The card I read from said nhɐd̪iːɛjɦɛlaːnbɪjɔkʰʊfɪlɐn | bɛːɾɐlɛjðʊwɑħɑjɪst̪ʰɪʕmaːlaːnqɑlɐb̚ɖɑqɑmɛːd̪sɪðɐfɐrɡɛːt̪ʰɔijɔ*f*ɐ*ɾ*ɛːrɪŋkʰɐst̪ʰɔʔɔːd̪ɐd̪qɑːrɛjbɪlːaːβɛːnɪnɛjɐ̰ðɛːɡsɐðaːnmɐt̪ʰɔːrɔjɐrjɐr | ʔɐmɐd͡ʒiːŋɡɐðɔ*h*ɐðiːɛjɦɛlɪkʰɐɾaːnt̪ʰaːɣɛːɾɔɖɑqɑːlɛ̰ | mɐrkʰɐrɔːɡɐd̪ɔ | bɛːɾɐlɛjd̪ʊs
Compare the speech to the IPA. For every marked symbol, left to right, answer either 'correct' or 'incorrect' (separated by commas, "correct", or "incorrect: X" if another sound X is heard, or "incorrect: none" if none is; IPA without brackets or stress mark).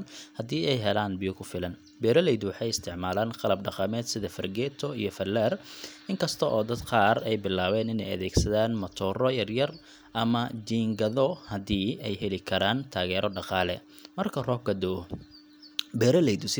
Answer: correct, incorrect: l, correct